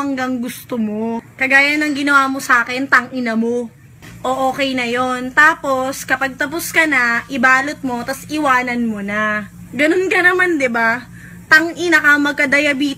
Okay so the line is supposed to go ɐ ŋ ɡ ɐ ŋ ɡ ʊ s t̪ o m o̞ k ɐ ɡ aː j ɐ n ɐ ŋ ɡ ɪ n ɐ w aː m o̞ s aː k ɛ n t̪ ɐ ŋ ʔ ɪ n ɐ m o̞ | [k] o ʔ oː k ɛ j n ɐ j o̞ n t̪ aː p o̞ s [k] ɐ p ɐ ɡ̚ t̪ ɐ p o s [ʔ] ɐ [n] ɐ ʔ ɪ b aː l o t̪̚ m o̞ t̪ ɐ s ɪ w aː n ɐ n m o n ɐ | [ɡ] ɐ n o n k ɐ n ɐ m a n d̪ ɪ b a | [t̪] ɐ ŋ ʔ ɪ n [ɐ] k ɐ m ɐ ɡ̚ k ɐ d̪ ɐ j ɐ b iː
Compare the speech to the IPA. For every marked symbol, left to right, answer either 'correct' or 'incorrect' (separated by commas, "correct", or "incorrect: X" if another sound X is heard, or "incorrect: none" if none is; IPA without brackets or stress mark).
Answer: incorrect: ʔ, correct, incorrect: k, correct, correct, correct, correct